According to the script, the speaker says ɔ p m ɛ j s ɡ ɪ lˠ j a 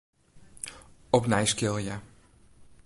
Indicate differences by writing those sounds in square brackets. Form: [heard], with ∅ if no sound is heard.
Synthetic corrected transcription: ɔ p [n] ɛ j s [k] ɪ lˠ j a

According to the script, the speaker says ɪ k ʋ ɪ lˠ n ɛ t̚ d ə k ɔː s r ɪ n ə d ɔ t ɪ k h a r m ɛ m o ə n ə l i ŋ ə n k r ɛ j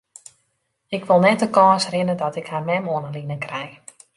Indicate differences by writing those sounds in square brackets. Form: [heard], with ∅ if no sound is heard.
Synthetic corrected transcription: ɪ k ʋ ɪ lˠ n ɛ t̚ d ə k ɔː s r ɪ n ə d ɔ t ɪ k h a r m ɛ m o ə n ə l i [n] ə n k r ɛ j

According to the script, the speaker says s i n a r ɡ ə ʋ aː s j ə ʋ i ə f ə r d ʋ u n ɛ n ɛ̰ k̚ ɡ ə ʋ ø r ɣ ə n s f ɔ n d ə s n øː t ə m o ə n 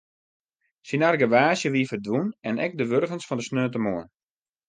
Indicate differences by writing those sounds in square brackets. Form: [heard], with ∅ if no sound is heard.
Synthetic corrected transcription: s i n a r ɡ ə ʋ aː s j ə ʋ i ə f ə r d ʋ u n ɛ n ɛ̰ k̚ [d] ə ʋ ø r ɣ ə n s f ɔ n d ə s n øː t ə m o ə n

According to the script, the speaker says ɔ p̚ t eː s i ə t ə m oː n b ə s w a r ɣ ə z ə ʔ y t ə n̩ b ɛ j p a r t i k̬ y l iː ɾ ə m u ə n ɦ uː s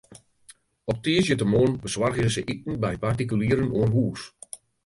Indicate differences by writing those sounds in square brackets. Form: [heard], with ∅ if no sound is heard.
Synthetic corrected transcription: ɔ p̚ t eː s [j] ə t ə m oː n b ə s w a r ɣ ə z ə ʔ [i] t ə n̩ b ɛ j p a r t i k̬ y l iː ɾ ə [n] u ə n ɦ uː s

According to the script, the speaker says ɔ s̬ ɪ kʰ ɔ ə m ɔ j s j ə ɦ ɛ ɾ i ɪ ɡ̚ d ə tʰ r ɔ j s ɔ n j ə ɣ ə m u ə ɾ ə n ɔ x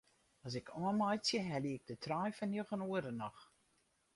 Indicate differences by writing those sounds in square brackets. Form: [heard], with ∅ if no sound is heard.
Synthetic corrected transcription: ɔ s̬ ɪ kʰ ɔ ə m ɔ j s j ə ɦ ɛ [l] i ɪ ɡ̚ d ə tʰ r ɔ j [f] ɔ n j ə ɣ ə [n] u ə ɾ ə n ɔ x

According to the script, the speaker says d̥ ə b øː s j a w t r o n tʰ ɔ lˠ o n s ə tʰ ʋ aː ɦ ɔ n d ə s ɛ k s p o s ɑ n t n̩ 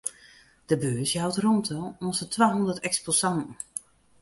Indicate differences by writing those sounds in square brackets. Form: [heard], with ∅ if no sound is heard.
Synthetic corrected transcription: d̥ ə b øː s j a w t r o n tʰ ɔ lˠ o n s ə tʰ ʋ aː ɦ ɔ n d ə [t] ɛ k s p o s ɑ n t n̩

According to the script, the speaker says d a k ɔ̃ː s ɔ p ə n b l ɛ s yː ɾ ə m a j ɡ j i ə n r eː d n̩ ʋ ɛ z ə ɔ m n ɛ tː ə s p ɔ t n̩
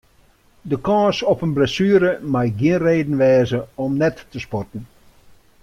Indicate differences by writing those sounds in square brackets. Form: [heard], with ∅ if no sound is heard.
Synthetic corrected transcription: d [ə] k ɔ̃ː s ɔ p ə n b l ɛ s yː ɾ ə m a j ɡ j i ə n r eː d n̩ ʋ [ɛː] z ə ɔ m n ɛ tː ə s p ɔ t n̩

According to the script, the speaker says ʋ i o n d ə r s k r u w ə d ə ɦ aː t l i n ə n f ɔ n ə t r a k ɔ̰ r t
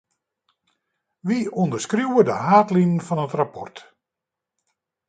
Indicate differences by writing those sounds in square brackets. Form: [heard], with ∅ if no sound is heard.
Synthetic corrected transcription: ʋ i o n d ə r s k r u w ə d ə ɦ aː t l i n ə n f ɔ n ə t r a [p] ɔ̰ r t

